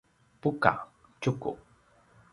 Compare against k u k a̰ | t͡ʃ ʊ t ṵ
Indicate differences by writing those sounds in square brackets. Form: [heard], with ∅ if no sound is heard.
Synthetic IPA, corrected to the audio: [p] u k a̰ | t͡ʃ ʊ [k] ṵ